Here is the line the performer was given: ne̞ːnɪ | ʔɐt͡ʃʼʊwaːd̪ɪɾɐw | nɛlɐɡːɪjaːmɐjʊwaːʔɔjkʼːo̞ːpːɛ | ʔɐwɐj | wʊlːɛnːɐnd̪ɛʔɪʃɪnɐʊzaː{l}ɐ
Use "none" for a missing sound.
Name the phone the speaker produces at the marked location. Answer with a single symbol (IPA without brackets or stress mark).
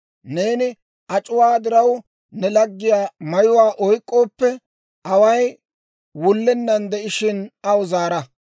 ɾ